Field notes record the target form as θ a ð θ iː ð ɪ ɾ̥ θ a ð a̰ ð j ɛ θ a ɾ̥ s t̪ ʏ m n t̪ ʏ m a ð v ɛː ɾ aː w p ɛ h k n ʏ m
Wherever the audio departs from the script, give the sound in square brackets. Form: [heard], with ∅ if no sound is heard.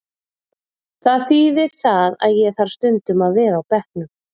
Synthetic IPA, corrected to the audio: θ a ð θ iː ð ɪ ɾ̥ θ a ð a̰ ð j ɛ θ a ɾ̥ s t̪ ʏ [∅] n t̪ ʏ m a ð v ɛː ɾ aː w p ɛ h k n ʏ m